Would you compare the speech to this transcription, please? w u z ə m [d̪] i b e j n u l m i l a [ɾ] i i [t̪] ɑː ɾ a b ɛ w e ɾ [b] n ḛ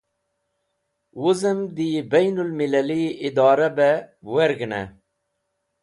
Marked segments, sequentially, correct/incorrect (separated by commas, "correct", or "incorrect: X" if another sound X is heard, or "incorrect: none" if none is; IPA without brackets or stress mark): correct, incorrect: l, incorrect: d̪, incorrect: ɡ